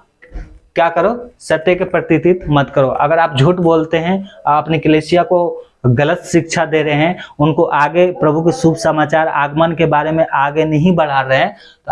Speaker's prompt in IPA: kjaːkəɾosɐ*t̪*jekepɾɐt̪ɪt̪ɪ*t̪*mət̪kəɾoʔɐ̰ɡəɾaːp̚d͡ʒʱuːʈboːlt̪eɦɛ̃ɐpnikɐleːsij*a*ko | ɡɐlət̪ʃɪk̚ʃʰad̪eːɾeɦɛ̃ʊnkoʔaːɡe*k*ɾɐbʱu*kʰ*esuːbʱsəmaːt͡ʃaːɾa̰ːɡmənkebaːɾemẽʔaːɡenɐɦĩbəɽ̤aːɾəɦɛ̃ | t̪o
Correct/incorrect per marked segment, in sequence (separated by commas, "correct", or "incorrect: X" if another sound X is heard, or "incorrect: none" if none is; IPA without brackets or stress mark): correct, correct, correct, incorrect: p, incorrect: k